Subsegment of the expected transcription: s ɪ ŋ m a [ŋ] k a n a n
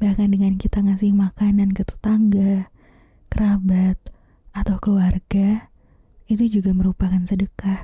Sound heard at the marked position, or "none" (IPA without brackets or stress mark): none